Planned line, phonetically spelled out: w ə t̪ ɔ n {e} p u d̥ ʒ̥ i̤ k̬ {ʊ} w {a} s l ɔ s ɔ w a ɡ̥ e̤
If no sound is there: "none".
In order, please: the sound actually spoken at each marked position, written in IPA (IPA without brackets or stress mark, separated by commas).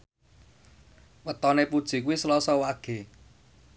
e, u, i